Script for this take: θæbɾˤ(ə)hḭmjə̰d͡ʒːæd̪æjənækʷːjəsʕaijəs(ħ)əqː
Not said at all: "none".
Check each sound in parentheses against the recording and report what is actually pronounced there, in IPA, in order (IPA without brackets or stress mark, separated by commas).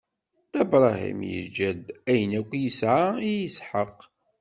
ɑ, ħ